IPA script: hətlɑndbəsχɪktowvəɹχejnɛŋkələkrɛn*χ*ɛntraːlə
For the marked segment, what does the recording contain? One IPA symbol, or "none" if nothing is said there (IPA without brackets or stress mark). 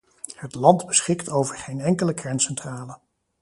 s